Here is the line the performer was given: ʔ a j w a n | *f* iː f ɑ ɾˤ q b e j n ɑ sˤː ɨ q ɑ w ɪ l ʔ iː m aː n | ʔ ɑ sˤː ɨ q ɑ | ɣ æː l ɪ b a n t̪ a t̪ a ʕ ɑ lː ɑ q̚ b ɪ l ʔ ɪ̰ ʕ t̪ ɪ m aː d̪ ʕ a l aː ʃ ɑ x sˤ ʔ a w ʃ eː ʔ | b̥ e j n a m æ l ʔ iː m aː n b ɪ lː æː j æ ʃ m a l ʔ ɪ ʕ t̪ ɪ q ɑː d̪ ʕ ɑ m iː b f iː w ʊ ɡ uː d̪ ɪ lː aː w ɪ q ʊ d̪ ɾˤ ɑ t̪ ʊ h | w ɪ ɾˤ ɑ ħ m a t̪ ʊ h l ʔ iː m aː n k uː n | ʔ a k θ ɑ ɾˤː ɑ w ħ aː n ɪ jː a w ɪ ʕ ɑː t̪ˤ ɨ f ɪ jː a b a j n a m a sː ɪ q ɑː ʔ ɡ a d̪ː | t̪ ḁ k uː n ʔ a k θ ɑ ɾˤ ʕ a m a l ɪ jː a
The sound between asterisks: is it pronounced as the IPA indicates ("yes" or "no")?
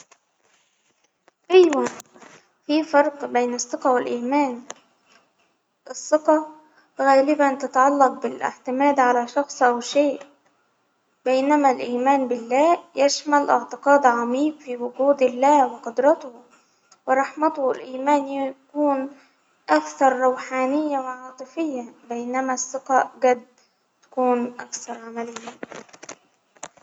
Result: yes